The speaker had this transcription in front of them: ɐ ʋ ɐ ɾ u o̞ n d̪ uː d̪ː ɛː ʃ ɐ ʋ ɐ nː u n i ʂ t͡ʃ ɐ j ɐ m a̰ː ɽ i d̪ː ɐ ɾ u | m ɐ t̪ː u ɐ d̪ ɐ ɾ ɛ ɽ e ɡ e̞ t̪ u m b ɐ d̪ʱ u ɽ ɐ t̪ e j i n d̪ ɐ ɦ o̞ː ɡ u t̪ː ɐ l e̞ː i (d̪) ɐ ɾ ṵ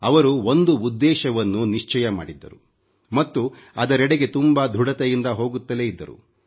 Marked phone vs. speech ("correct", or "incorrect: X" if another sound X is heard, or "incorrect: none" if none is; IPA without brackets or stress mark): incorrect: d̪ː